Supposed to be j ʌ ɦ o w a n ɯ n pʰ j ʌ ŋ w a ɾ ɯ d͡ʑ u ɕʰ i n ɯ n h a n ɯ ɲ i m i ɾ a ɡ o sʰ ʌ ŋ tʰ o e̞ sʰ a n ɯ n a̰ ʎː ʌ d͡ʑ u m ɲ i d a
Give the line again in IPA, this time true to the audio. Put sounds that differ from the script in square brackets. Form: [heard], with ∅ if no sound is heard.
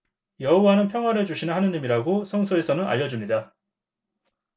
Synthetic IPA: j ʌ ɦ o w a n ɯ n pʰ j ʌ ŋ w a ɾ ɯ d͡ʑ u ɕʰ i n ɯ n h a n ɯ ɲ i m i ɾ a ɡ o sʰ ʌ ŋ [sʰ] o e̞ sʰ [ʌ] n ɯ n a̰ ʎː ʌ d͡ʑ u m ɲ i d a

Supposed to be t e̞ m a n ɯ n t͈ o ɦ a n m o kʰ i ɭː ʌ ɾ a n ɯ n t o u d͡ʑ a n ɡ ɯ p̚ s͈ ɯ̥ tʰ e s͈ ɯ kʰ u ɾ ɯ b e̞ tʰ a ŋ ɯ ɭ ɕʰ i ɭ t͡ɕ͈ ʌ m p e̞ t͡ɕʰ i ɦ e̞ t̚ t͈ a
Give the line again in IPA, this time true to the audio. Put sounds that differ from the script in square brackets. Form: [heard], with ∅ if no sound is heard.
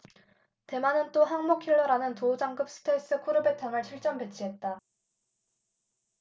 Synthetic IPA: t e̞ m a n ɯ n t͈ o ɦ a [ŋ] m o kʰ i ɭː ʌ ɾ a n ɯ n t o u d͡ʑ a [ŋ] ɡ ɯ p̚ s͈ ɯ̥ tʰ e s͈ ɯ kʰ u ɾ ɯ b e̞ tʰ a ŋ ɯ ɭ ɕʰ i ɭ t͡ɕ͈ ʌ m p e̞ t͡ɕʰ i ɦ e̞ t̚ t͈ a

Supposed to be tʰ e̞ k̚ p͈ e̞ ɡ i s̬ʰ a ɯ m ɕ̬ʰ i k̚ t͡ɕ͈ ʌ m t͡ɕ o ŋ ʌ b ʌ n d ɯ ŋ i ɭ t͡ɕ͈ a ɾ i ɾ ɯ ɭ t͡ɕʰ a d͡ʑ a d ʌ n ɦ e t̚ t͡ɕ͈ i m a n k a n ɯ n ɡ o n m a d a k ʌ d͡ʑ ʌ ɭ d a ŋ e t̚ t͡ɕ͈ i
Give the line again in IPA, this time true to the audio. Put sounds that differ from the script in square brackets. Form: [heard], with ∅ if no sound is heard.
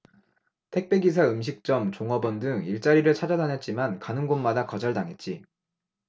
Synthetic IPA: tʰ e̞ k̚ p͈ e̞ ɡ i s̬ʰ a ɯ m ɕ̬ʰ i k̚ t͡ɕ͈ ʌ m t͡ɕ o ŋ ʌ b ʌ n d ɯ ŋ i ɭ t͡ɕ͈ a ɾ i ɾ ɯ ɭ t͡ɕʰ a d͡ʑ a d [a] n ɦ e t̚ t͡ɕ͈ i m a n k a n ɯ n ɡ o n m a d a k ʌ d͡ʑ ʌ ɭ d a ŋ e t̚ t͡ɕ͈ i

